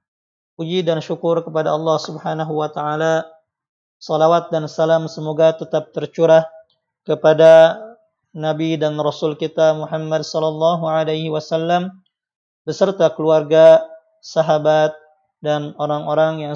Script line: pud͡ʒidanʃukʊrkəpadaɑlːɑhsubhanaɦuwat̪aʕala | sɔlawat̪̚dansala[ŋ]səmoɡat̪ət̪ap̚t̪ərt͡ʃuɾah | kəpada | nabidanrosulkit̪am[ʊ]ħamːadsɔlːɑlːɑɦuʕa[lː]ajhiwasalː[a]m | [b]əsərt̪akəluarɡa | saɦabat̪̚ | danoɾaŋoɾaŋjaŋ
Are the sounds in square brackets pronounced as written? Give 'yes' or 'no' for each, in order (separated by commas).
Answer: no, no, no, yes, yes